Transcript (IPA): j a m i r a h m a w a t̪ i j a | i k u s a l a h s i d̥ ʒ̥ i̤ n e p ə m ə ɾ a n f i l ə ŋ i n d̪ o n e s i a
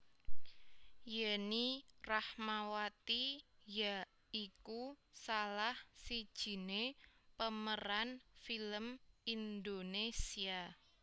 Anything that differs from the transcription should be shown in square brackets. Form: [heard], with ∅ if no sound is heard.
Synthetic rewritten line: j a [n] i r a h m a w a t̪ i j a | i k u s a l a h s i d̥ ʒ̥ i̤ n e p ə m ə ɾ a n f i l ə [m] i n d̪ o n e s i a